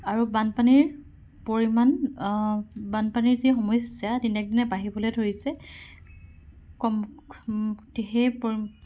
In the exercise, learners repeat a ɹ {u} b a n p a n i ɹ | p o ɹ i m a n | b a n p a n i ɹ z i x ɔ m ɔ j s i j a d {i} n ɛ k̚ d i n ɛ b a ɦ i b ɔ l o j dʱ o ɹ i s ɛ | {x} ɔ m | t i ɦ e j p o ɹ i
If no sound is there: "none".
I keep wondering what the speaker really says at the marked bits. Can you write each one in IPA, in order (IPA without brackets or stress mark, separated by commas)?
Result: u, i, k